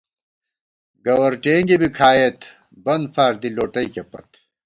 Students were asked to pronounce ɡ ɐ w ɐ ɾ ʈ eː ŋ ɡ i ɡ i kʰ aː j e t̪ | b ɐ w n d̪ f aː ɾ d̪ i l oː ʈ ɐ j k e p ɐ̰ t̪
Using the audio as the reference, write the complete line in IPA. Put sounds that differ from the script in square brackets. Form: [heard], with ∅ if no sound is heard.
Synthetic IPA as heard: ɡ ɐ w ɐ ɾ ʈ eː ŋ ɡ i [b] i kʰ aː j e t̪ | b ɐ [∅] n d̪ f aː ɾ d̪ i l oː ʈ ɐ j k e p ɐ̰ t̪